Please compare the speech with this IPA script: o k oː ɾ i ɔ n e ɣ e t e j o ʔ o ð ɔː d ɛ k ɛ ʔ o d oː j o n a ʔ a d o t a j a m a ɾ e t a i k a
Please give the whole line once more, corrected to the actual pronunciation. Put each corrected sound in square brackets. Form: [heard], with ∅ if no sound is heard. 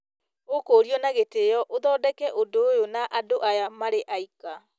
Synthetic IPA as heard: o k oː ɾ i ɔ n [a] ɣ e t e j [ɔ] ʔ o ð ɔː d ɛ k ɛ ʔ o d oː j o n a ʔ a d o [ʔ] a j a m a ɾ e [ʔ] a i k a